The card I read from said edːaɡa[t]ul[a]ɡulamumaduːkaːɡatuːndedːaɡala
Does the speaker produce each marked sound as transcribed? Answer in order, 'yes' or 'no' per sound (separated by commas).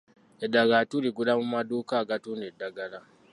yes, no